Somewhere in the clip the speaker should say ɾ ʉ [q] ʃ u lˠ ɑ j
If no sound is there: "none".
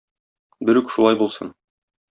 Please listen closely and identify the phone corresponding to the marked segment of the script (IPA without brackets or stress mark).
k